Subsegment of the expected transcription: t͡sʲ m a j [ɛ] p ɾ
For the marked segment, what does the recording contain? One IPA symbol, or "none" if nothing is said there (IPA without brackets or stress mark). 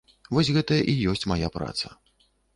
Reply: a